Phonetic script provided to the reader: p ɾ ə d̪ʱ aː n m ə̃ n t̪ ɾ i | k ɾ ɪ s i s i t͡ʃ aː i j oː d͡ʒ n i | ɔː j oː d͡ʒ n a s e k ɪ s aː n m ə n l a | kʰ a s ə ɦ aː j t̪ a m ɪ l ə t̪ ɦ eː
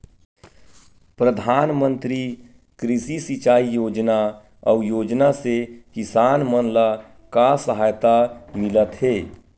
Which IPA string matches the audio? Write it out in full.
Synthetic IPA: p ɾ ə d̪ʱ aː n m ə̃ n t̪ ɾ i | k ɾ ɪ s i s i t͡ʃ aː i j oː d͡ʒ n a | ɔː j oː d͡ʒ n a s e k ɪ s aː n m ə n l a | k a s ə ɦ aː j t̪ a m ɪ l ə t̪ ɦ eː